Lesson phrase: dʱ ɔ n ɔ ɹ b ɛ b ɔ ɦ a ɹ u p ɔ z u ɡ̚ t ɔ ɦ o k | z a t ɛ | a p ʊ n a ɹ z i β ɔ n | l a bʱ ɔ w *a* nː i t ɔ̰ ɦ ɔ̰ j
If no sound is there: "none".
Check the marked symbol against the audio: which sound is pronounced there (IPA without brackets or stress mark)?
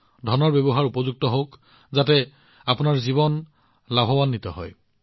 a